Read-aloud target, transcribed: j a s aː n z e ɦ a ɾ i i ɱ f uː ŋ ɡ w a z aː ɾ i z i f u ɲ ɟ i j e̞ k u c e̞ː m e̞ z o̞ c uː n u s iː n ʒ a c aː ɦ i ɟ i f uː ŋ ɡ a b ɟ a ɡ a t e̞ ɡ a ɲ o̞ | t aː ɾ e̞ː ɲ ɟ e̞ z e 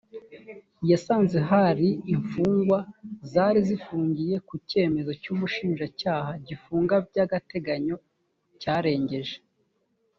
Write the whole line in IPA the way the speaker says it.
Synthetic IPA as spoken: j a s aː n z e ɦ a ɾ i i ɱ f uː ŋ ɡ w a z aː ɾ i z i f uː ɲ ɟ i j e̞ k u c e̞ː m e̞ z o̞ c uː m u ʃ iː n ʒ a c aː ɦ a ɟ i f uː ŋ ɡ a b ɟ a ɡ a t e̞ ɡ a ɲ o̞ | c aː ɾ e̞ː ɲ ɟ e̞ ʒ e